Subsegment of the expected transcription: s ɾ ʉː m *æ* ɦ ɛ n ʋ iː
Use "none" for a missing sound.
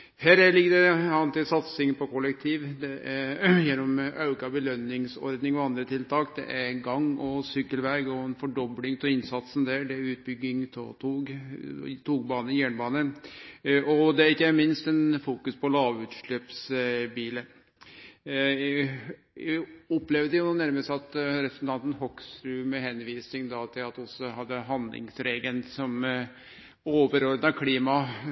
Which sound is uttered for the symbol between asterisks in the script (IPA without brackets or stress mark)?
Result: ɛ